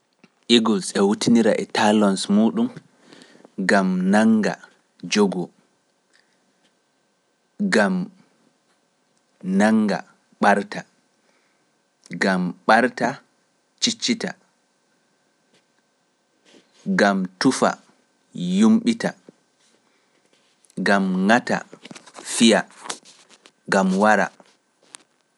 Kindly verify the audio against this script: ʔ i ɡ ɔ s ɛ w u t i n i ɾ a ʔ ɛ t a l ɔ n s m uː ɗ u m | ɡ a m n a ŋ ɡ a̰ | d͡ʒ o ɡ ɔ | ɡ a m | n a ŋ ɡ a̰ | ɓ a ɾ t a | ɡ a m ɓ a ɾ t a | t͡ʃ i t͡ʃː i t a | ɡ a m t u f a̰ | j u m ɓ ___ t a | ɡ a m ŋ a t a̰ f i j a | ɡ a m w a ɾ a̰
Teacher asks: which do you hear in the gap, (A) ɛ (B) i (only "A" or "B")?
B